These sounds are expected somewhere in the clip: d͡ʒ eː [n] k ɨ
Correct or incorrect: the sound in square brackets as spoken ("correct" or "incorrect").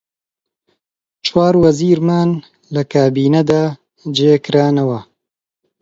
incorrect